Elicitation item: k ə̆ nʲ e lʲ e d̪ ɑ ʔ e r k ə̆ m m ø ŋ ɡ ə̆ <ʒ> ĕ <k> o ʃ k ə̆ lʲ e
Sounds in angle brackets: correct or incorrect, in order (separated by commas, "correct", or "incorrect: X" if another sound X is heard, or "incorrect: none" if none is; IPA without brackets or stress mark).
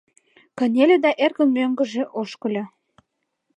correct, incorrect: ʔ